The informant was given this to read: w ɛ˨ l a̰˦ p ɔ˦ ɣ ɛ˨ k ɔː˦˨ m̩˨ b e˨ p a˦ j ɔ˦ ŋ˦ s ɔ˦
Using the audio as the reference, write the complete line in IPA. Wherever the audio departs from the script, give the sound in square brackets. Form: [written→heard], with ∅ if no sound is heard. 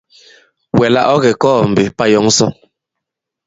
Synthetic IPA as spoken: w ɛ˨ l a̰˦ [p→ʔ] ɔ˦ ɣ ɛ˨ k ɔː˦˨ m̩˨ b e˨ p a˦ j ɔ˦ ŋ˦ s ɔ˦